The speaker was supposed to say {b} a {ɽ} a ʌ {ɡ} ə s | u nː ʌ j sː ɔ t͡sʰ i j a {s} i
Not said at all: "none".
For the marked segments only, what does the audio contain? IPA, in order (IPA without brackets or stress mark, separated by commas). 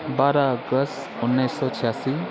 b, ɾ, ɡ, s